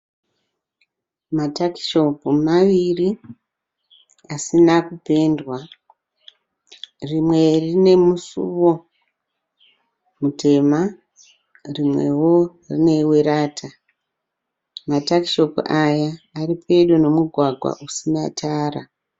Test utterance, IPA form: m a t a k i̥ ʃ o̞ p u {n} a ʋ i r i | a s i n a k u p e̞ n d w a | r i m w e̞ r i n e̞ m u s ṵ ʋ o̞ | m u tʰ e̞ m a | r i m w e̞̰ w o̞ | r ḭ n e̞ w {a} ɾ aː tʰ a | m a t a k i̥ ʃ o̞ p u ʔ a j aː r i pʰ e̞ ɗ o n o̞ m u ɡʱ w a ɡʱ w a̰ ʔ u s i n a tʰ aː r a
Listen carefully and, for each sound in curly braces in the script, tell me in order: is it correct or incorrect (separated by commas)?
incorrect, incorrect